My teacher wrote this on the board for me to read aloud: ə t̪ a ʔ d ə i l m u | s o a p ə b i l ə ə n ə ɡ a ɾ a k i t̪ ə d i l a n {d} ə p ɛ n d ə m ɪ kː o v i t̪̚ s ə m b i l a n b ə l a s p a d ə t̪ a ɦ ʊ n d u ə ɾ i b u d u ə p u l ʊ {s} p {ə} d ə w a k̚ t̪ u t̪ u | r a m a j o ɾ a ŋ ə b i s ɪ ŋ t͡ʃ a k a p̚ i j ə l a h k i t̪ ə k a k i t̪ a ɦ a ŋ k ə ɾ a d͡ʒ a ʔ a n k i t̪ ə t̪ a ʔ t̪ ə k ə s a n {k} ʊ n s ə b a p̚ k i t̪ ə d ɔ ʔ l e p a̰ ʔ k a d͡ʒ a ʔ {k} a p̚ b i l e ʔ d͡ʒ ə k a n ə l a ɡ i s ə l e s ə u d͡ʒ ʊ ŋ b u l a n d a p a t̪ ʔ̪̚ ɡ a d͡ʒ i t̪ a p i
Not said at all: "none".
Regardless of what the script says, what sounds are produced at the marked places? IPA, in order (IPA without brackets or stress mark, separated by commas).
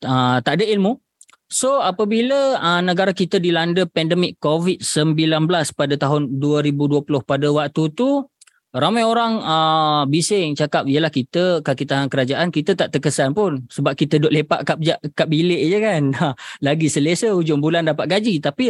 d, h, a, p, k